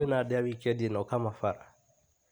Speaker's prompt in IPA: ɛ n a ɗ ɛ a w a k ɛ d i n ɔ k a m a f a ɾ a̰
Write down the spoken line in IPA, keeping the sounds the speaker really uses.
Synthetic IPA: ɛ n a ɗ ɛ a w i k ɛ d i n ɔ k a m a f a ɾ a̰